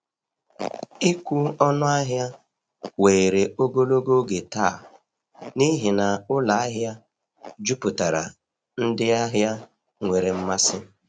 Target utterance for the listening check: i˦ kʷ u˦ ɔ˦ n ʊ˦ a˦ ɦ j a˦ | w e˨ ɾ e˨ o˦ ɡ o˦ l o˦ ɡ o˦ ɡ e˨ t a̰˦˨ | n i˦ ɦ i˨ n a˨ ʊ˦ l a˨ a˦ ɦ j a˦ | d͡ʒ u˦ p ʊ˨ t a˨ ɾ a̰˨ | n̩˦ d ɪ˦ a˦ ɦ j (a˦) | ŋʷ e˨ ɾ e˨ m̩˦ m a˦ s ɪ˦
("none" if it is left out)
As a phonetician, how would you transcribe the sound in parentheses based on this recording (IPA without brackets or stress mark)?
a˦